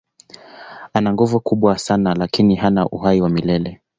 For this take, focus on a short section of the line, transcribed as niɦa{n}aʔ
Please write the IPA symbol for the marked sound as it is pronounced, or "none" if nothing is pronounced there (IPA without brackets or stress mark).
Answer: n